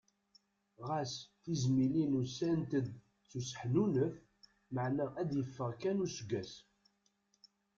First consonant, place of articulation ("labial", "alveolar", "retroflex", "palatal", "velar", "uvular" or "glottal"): uvular